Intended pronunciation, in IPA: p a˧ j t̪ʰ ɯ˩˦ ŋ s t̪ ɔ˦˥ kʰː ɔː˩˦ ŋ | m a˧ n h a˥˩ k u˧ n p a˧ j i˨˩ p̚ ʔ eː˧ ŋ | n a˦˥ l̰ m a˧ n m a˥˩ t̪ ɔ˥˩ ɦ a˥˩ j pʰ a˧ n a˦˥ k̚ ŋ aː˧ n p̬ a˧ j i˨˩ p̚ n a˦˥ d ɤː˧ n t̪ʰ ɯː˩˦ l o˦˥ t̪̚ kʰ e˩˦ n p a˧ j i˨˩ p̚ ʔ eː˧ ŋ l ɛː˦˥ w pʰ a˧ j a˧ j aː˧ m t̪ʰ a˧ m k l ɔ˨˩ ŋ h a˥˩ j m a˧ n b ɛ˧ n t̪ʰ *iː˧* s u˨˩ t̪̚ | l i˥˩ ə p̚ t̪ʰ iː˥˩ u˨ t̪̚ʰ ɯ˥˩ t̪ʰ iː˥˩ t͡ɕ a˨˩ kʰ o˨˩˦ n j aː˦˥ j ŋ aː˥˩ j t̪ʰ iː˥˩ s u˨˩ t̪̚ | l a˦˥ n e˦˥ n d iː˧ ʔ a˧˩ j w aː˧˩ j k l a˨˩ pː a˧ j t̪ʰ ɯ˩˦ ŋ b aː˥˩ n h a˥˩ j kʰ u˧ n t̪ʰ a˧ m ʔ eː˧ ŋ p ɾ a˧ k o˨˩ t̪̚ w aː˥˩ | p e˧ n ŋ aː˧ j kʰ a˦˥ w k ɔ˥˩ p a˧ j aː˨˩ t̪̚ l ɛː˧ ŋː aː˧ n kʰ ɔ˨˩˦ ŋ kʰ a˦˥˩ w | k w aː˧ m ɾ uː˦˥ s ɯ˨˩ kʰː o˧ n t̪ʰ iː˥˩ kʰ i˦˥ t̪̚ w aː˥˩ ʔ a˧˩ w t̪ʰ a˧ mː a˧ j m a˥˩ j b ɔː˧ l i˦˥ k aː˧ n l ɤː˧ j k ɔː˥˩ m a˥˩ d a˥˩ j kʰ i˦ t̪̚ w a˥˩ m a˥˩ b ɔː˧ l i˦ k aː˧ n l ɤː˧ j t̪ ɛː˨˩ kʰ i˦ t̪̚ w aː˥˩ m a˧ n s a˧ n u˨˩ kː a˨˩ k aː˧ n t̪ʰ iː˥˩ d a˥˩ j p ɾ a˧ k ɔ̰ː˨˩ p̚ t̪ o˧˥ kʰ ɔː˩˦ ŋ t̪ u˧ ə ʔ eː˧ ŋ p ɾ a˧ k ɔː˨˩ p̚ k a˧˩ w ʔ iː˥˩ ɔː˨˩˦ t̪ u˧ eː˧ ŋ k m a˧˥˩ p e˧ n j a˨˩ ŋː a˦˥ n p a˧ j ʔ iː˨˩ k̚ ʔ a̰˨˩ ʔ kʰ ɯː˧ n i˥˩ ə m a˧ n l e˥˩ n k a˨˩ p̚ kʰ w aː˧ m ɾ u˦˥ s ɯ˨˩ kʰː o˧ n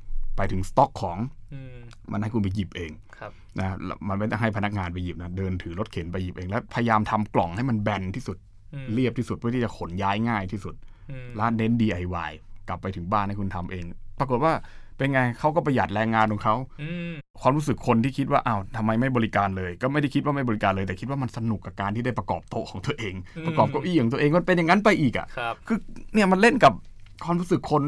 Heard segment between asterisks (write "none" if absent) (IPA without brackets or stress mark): iː˥˩